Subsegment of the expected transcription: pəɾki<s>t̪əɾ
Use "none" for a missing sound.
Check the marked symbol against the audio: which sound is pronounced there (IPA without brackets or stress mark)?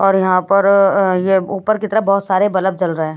none